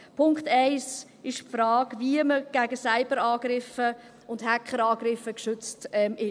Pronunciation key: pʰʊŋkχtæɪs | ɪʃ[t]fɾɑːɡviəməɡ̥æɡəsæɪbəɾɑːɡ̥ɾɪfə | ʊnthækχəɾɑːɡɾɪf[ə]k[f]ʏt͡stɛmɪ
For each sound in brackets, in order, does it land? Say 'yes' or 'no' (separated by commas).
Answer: no, yes, no